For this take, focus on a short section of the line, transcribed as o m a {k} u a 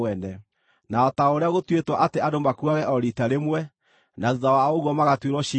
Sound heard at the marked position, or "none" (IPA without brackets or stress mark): k